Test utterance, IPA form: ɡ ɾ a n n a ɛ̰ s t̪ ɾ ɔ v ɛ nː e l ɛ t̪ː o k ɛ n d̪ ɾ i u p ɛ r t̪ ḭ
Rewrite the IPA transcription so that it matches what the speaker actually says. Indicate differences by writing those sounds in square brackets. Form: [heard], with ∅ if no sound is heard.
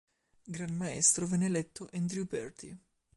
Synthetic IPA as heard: ɡ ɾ a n [m] a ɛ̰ s t̪ ɾ [o] v ɛ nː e l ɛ t̪ː o [ʔ] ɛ n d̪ ɾ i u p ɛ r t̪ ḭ